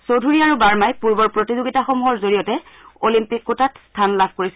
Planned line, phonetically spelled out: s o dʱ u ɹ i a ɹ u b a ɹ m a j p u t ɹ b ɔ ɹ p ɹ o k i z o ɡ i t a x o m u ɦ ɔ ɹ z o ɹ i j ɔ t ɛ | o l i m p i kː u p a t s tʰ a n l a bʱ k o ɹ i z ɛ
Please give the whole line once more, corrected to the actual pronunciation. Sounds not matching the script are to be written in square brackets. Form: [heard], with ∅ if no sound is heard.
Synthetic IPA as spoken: s o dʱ u ɹ i a ɹ u b a ɹ m a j p u [∅] ɹ b ɔ ɹ p ɹ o [t] i z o ɡ i t a x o m u ɦ ɔ ɹ z o ɹ i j ɔ t ɛ | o l i m p i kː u [t] a t s tʰ a n l a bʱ k o ɹ i [s] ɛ